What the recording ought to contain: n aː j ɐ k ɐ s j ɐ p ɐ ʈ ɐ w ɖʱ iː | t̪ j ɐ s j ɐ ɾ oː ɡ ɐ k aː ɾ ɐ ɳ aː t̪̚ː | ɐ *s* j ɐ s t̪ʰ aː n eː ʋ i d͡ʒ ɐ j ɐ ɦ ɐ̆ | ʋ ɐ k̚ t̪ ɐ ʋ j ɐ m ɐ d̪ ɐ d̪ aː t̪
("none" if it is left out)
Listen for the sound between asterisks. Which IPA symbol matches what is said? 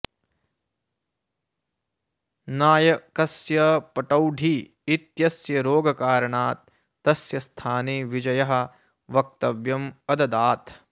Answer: s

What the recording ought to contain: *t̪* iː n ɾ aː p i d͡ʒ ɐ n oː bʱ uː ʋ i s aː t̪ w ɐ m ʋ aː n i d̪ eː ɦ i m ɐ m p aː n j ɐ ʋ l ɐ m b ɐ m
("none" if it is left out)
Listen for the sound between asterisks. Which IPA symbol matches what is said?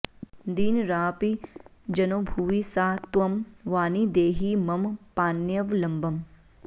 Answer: d̪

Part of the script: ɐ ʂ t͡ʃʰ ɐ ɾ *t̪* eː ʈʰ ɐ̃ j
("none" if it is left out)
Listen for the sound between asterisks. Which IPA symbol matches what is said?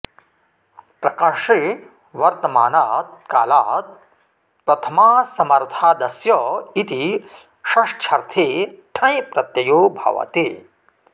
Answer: t̪ʰ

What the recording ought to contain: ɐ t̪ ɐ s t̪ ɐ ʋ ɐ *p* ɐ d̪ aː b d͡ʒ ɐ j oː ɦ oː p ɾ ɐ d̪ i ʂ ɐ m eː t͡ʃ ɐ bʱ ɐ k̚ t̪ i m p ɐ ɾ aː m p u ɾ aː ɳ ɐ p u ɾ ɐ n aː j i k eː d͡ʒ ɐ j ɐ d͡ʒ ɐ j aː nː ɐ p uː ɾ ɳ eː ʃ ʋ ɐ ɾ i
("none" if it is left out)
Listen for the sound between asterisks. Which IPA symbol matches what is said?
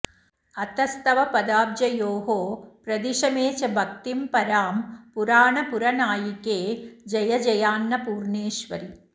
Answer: p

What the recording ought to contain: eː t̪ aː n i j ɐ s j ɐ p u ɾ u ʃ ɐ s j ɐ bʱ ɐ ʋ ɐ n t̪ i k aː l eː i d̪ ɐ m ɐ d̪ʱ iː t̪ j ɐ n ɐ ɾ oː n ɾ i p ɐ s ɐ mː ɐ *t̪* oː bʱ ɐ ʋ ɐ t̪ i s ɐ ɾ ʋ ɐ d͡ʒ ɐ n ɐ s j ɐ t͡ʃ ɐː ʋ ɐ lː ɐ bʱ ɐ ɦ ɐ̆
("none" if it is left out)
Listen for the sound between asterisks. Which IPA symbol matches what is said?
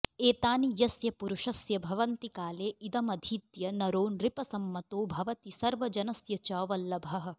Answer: t̪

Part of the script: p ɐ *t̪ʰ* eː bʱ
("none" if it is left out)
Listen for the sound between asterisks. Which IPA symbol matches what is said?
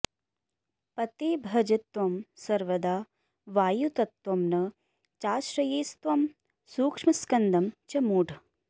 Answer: t̪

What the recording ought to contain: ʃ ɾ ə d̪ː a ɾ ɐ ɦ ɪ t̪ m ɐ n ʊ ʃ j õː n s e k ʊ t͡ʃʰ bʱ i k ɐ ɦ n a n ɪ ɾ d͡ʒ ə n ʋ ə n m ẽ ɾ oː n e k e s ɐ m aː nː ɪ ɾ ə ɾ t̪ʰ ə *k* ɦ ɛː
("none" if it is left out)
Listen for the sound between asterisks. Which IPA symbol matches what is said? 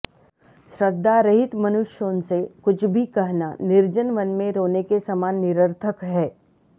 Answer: k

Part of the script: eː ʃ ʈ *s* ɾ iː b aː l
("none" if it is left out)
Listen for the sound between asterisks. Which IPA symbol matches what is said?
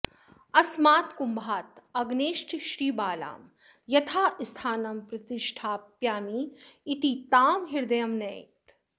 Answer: ʃ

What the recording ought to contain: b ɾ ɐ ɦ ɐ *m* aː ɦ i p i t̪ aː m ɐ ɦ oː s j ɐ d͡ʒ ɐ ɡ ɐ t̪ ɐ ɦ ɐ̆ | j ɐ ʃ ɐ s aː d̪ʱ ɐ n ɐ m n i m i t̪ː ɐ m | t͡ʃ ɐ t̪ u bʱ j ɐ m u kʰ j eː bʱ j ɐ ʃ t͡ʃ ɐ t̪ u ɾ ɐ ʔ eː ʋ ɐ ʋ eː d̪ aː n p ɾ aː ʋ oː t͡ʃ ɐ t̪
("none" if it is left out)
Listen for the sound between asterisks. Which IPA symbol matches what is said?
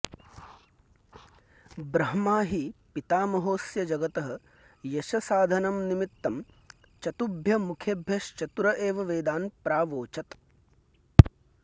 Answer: m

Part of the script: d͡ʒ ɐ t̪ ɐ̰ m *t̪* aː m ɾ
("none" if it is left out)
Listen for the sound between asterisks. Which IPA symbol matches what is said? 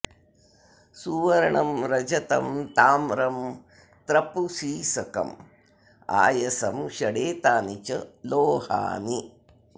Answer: t̪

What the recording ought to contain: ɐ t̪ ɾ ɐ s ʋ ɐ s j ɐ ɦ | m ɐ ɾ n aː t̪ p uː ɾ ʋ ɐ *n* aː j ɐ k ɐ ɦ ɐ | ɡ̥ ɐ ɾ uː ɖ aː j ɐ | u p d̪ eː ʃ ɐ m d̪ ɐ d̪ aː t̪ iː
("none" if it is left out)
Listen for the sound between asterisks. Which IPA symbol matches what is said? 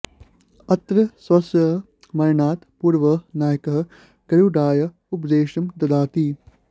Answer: n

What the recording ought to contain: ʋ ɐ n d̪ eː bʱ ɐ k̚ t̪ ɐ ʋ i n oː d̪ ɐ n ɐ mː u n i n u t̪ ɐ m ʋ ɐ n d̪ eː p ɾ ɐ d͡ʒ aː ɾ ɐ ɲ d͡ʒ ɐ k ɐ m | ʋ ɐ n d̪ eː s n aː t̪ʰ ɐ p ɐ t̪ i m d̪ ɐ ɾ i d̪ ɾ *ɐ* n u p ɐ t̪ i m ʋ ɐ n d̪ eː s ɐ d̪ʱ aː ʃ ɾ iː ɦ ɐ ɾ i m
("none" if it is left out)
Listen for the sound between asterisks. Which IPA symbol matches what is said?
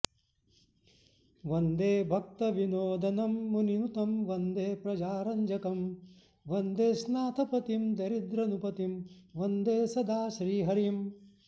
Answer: ɐ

